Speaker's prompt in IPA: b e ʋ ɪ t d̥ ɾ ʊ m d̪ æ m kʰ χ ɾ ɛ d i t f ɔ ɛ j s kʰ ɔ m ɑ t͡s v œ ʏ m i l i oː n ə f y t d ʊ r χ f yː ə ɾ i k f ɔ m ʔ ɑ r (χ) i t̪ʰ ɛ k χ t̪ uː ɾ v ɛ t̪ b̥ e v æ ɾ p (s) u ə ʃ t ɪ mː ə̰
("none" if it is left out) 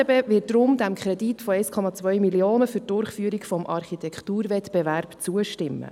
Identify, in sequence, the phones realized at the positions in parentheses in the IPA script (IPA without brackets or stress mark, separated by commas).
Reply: χ, t͡s